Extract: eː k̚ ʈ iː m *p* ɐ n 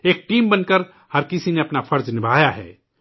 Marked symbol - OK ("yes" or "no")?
no